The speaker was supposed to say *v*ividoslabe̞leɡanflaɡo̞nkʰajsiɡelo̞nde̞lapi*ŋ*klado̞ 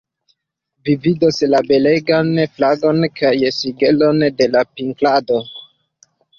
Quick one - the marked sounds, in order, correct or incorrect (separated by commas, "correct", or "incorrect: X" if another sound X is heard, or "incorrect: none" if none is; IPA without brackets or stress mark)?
correct, correct